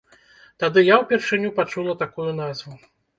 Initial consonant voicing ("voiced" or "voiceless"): voiceless